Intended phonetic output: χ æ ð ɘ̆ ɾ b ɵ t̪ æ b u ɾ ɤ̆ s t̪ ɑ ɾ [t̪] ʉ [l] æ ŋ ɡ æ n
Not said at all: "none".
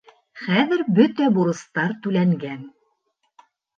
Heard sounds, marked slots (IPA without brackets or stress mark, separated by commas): t̪, l